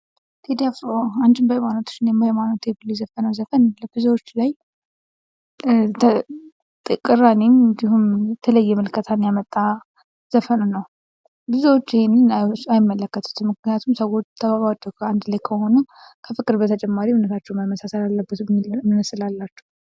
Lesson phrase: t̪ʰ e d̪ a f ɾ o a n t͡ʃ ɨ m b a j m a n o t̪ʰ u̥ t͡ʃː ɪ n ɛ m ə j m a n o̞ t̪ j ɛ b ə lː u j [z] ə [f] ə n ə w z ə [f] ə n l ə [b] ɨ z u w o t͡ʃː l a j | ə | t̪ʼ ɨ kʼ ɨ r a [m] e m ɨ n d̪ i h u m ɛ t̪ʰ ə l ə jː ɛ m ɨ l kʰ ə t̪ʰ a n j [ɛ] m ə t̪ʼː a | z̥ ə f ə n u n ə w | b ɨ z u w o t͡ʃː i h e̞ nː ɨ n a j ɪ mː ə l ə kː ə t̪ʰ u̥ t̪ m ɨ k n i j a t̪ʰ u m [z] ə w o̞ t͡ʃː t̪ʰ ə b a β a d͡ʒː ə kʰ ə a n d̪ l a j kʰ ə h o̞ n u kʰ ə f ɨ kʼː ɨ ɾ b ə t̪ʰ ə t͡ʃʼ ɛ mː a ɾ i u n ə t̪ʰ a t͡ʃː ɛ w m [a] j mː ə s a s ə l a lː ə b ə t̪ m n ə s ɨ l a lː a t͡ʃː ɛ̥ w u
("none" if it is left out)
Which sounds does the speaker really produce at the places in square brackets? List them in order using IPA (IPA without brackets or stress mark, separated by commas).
z, f, f, b, n, a, s, a